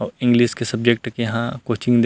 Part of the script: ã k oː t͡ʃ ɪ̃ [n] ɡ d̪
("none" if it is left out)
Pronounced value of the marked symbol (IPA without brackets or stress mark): ŋ